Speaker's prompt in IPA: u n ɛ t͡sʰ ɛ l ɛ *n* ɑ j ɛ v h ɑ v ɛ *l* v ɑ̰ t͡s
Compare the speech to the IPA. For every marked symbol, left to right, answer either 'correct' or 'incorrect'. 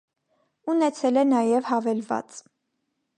correct, correct

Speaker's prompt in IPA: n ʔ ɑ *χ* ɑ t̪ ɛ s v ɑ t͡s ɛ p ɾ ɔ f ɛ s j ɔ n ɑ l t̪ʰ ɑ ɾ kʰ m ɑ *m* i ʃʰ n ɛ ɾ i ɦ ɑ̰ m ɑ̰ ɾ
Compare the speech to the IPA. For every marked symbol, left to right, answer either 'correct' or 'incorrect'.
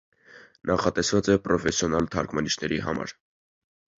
correct, incorrect

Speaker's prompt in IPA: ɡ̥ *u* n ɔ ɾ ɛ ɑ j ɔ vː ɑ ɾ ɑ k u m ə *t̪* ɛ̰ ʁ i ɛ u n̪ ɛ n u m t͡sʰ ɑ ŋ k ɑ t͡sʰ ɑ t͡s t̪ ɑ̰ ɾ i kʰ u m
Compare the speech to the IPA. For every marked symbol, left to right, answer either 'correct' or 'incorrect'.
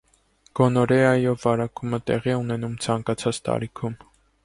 incorrect, correct

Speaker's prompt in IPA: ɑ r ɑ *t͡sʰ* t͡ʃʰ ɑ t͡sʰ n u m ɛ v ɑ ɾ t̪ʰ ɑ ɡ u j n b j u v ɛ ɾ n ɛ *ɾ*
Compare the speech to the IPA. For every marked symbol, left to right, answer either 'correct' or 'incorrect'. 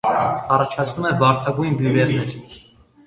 incorrect, correct

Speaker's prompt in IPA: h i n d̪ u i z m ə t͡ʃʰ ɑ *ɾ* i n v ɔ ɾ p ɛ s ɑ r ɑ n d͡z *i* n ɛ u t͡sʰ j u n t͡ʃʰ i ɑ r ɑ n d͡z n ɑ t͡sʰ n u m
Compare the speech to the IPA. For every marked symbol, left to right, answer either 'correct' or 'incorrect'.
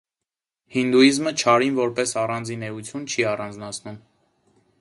correct, correct

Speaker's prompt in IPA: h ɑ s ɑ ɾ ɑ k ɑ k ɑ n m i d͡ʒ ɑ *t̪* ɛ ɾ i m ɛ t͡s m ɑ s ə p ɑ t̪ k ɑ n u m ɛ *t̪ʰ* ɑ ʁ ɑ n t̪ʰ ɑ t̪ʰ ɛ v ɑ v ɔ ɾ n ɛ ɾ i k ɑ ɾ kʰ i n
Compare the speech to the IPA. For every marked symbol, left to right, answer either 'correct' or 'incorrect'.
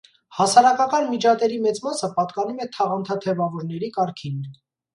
correct, correct

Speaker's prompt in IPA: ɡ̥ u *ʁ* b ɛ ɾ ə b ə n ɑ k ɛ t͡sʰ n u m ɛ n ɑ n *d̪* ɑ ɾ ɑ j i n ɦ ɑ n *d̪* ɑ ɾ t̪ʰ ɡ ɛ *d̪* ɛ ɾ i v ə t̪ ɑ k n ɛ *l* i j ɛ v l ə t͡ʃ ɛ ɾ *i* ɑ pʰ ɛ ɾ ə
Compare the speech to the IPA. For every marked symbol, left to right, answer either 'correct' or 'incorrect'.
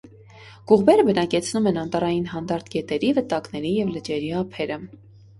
correct, incorrect, correct, incorrect, incorrect, correct

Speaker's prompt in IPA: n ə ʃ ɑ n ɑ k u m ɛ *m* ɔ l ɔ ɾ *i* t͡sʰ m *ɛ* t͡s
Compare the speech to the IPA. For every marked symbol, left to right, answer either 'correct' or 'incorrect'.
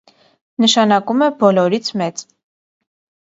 incorrect, correct, correct

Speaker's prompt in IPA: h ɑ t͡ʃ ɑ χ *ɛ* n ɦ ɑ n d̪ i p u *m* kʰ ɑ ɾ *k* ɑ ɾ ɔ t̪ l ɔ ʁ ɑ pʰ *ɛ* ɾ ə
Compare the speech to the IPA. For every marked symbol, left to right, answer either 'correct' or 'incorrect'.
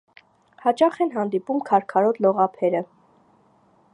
correct, correct, incorrect, correct

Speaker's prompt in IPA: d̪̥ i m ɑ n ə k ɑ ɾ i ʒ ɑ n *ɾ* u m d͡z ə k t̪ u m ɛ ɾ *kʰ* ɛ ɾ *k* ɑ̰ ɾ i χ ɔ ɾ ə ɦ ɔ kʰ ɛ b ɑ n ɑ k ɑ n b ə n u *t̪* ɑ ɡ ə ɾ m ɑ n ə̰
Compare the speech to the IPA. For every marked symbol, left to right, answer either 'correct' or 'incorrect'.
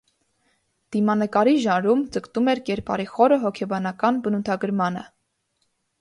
correct, incorrect, incorrect, incorrect

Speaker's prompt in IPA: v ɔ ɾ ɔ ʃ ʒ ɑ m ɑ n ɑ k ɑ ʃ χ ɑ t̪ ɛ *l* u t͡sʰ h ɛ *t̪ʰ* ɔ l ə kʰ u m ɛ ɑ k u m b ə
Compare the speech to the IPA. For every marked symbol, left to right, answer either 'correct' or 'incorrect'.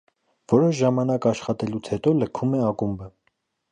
correct, incorrect

